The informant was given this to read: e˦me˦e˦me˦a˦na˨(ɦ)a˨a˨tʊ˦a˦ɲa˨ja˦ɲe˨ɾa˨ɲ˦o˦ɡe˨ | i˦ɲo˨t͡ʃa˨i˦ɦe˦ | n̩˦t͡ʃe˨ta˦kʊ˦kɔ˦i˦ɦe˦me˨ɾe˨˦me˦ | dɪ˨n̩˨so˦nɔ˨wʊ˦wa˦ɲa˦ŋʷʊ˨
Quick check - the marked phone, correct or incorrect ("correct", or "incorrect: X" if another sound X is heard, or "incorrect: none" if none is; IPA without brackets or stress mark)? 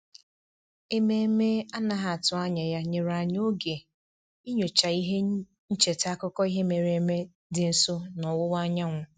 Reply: correct